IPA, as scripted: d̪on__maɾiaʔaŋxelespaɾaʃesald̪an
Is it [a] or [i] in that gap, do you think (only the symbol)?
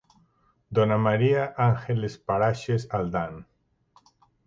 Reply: a